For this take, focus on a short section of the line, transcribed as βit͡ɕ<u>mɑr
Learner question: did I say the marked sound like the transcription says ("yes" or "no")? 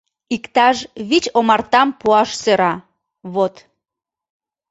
no